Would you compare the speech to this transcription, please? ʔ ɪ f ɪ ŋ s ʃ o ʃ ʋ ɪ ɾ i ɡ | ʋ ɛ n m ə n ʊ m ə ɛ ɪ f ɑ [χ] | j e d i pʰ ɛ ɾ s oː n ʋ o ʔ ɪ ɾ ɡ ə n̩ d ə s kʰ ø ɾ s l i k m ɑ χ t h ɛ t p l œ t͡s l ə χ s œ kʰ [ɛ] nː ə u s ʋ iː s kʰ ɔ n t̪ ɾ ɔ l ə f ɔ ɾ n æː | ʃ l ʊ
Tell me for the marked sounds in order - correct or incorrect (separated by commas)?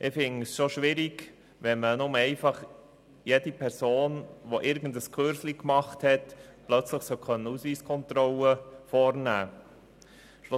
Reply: correct, incorrect